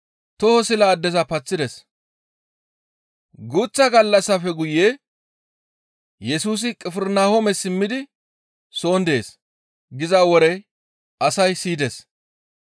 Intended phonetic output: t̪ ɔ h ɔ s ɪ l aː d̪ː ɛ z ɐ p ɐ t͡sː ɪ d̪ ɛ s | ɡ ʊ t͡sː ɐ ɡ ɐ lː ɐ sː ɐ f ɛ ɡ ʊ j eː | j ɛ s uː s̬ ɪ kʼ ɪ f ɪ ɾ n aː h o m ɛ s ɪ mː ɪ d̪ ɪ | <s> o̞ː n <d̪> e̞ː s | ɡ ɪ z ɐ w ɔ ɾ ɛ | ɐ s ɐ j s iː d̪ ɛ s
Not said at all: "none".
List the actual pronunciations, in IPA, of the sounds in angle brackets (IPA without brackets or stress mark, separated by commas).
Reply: s, d̪